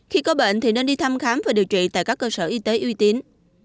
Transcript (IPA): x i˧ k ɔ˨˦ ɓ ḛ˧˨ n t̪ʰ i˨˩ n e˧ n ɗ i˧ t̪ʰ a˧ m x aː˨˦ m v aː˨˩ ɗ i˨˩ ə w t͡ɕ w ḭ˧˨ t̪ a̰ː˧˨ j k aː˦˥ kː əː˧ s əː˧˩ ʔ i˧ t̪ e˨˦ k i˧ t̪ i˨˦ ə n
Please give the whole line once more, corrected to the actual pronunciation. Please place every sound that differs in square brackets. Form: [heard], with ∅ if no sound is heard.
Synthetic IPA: x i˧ k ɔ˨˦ ɓ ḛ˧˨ n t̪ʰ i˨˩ n e˧ n ɗ i˧ t̪ʰ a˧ m x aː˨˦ m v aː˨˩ ɗ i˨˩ ə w t͡ɕ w ḭ˧˨ t̪ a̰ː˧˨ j k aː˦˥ kː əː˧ s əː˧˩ ʔ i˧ t̪ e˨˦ [ʔ] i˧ t̪ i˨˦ ə n